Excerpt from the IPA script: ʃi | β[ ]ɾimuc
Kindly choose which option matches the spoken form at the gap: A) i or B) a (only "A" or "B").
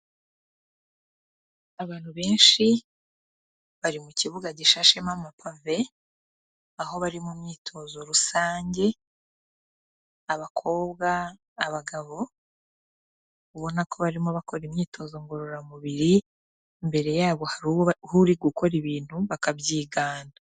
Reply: B